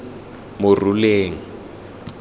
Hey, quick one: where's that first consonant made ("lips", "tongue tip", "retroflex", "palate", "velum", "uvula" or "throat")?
lips